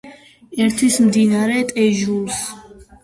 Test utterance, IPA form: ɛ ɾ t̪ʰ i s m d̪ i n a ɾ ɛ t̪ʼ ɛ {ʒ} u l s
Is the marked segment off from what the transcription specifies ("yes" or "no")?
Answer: no